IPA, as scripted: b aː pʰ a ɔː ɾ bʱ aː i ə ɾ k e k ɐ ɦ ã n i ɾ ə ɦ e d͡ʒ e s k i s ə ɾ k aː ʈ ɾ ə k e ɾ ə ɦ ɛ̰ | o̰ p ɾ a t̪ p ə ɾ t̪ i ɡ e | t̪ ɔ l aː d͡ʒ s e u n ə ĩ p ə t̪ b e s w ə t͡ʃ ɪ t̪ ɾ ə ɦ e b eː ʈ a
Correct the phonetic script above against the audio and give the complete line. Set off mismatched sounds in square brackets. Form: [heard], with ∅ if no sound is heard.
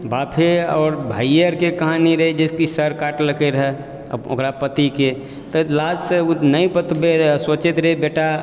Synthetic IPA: b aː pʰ [e] ɔː ɾ bʱ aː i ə ɾ k e k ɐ ɦ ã n i ɾ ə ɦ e d͡ʒ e s k i s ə ɾ k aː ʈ [l] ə k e ɾ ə ɦ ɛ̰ | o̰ [k] ɾ a [∅] p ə [∅] t̪ i [k] e | t̪ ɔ l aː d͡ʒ s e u n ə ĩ p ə t̪ b e s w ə t͡ʃ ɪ t̪ ɾ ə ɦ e b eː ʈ a